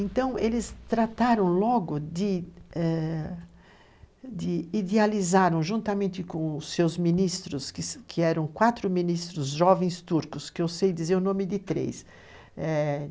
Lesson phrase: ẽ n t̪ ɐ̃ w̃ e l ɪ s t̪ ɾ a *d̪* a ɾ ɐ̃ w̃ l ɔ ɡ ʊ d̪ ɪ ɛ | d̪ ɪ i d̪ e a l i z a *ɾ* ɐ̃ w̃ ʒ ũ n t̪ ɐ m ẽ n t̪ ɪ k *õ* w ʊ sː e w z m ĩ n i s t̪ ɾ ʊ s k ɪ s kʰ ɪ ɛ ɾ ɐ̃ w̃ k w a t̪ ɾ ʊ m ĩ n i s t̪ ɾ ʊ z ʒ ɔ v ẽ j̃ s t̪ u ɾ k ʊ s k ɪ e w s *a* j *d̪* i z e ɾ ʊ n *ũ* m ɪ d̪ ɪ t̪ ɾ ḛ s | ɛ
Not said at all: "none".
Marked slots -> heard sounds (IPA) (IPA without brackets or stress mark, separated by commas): t̪, ɾ, õ, e, d̪, õ